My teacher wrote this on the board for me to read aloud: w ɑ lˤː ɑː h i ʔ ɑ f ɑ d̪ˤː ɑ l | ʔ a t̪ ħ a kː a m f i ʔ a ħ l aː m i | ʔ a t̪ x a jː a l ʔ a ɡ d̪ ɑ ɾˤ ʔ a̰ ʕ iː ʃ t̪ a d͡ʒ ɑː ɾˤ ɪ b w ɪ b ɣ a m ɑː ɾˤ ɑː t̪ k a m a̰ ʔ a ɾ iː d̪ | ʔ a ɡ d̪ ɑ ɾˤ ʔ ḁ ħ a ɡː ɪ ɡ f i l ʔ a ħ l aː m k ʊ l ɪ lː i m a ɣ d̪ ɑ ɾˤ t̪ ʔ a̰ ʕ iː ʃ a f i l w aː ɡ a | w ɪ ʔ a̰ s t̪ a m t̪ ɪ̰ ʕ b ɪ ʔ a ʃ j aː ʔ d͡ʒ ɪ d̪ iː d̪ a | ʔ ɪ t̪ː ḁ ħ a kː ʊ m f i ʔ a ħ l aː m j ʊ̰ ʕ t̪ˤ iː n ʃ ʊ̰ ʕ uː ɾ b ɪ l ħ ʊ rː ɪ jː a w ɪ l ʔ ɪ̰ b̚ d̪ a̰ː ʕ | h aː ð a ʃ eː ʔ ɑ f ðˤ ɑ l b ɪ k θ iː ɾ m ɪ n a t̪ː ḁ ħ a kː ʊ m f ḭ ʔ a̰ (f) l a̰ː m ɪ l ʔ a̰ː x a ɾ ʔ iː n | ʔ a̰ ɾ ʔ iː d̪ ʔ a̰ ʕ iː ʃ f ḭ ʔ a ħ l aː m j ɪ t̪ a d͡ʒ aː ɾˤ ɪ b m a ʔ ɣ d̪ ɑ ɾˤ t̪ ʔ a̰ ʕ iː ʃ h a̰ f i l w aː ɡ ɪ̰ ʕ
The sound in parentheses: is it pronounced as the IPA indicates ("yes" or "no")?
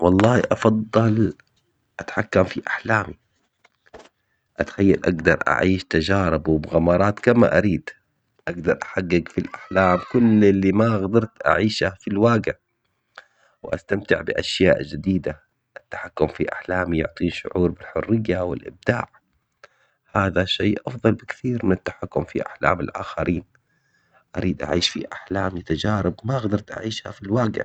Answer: no